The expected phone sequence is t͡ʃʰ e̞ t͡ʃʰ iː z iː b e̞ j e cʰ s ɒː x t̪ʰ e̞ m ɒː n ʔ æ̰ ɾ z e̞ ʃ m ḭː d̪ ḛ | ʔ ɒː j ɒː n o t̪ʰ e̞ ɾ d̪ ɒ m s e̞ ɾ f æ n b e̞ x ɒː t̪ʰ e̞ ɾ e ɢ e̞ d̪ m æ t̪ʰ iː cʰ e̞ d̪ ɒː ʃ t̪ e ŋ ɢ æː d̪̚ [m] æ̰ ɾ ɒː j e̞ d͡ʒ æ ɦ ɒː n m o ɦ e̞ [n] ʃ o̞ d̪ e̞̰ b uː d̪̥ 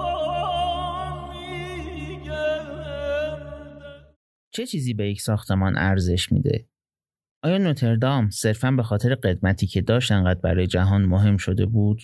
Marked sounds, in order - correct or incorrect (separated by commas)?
incorrect, incorrect